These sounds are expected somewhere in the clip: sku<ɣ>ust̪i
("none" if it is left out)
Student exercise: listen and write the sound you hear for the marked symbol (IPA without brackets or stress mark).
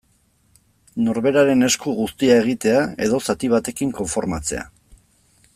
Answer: ɣ